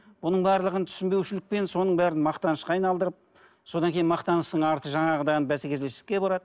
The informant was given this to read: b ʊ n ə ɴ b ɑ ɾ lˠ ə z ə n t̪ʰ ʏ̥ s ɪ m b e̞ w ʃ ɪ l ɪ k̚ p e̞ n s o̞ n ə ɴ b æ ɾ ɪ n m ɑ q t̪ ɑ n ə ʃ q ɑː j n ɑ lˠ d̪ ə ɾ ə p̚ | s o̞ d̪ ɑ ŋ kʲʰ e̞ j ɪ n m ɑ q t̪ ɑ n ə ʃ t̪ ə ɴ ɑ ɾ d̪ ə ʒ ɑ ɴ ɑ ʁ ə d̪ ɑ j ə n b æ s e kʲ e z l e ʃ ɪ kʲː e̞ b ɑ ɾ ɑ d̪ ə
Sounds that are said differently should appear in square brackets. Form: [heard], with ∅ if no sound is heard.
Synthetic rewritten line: b ʊ n ə ɴ b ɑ ɾ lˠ ə [ʁ] ə n t̪ʰ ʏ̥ s ɪ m b e̞ w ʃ ɪ l ɪ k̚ p e̞ n s o̞ n ə ɴ b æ ɾ ɪ n m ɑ q t̪ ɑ n ə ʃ q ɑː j n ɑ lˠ d̪ ə ɾ ə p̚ | s o̞ d̪ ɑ ŋ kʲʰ e̞ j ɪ n m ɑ q t̪ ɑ n ə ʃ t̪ ə ɴ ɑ ɾ [t̪] ə ʒ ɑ ɴ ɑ ʁ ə d̪ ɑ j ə n b æ s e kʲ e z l e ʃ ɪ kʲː e̞ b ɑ ɾ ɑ d̪ ə